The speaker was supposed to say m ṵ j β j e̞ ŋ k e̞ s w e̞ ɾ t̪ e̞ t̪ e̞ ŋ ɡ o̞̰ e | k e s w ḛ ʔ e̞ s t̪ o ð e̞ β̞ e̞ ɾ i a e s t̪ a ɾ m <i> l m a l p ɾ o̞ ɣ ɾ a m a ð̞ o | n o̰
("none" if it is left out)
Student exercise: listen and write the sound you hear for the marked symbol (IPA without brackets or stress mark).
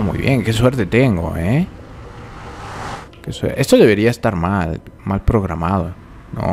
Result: a